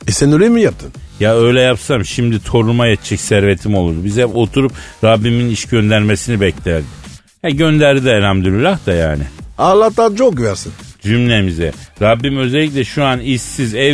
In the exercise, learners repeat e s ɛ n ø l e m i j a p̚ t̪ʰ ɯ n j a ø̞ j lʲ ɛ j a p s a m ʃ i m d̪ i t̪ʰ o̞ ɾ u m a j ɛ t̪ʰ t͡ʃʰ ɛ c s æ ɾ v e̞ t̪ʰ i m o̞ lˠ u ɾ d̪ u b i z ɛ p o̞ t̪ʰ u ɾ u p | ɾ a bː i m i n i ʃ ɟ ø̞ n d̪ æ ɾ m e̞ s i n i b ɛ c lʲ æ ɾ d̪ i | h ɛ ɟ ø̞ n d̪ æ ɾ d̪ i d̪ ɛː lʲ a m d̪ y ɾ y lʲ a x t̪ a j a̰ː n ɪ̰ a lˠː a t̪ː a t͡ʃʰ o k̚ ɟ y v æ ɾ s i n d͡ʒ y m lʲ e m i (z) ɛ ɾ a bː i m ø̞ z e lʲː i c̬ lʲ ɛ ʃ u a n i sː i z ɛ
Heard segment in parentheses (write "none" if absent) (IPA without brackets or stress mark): z